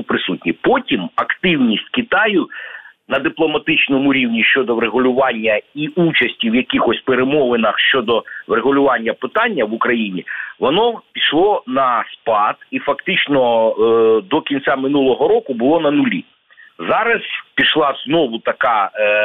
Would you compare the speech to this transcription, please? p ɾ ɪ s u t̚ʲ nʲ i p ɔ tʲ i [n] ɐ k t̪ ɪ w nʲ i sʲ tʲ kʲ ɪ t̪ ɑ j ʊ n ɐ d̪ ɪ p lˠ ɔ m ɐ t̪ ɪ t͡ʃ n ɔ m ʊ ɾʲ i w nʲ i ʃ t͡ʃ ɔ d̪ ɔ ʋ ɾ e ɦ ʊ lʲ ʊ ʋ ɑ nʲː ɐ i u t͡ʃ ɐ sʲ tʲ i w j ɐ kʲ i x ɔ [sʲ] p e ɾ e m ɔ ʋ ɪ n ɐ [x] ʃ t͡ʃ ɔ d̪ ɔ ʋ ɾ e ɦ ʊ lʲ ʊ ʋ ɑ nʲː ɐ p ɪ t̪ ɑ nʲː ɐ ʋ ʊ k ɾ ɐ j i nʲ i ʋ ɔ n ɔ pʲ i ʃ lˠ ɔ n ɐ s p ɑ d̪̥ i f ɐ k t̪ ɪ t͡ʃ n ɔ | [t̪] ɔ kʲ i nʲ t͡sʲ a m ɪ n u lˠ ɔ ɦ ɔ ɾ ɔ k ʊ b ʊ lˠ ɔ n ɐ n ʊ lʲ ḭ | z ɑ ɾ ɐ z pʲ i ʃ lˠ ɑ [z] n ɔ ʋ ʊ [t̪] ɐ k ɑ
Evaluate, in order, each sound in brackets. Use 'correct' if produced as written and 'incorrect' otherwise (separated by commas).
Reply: incorrect, correct, correct, incorrect, correct, correct